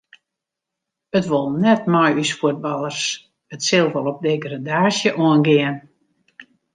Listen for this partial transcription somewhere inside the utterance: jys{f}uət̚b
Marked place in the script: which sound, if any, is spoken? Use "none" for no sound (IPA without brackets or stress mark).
f